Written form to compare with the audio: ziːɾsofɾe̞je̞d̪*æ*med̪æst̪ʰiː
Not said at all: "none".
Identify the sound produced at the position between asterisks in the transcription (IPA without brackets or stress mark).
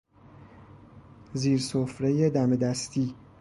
æ